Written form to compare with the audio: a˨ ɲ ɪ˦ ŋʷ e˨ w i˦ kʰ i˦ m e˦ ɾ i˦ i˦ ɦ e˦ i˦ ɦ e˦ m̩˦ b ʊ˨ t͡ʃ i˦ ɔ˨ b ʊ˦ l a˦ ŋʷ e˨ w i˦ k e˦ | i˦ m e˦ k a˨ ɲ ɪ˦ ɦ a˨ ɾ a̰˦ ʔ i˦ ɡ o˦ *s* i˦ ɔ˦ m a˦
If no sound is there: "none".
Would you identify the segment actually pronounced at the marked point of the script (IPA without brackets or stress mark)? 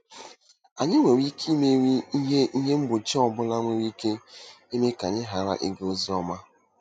z